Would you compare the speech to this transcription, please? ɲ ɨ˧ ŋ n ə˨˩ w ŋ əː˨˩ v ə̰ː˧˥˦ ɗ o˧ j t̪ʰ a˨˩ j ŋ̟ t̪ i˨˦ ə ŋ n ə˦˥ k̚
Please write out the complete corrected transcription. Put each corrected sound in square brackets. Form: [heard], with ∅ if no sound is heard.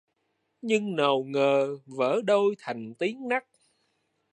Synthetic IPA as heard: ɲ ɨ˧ ŋ n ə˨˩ w ŋ əː˨˩ v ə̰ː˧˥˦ ɗ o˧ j t̪ʰ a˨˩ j ŋ̟ t̪ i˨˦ ə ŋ n [a˦˥] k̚